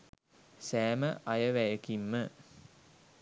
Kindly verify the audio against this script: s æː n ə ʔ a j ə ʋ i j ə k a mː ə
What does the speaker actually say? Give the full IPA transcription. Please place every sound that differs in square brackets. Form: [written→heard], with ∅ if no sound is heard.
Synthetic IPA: s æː [n→m] ə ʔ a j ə ʋ [i→æ] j ə k [a→i] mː ə